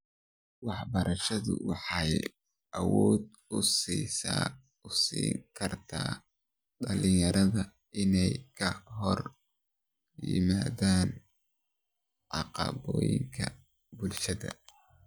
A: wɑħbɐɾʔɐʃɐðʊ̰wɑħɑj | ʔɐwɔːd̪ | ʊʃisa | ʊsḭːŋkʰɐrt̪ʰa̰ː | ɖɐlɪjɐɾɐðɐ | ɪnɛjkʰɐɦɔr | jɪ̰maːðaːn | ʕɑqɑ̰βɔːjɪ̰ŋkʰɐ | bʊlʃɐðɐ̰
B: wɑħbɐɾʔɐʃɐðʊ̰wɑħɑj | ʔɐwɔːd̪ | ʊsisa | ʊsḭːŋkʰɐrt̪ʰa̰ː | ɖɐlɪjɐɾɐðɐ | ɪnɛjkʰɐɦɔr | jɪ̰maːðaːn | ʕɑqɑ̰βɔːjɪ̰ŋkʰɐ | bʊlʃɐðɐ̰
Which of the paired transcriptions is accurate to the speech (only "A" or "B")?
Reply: B